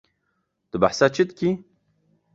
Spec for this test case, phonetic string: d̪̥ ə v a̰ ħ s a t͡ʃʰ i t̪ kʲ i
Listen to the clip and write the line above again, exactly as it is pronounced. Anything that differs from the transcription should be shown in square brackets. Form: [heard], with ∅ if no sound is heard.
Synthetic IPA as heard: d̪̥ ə [b] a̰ ħ s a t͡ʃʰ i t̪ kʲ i